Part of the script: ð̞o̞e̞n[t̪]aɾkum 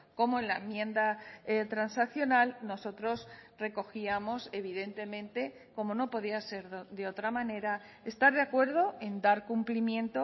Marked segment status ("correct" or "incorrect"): incorrect